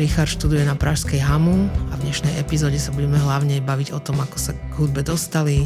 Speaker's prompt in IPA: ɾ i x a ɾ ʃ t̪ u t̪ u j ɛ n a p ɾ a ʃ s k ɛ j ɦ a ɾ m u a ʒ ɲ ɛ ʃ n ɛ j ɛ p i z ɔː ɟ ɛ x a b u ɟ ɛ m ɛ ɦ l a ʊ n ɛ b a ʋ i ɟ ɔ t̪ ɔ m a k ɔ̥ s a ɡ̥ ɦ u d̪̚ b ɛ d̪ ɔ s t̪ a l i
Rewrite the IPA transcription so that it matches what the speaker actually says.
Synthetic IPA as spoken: ɾ i x a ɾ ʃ t̪ u d̪ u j ɛ n a p ɾ a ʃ s k ɛ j ɦ a m u a v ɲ ɛ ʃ n ɛ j ɛ p i z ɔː ɟ ɛ s a b u ɟ ɛ m ɛ ɦ l a ʊ ɲ ɛ b a ʋ i ɟ ɔ t̪ ɔ m a k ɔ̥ s a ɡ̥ ɦ u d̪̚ b ɛ d̪ ɔ s t̪ a l i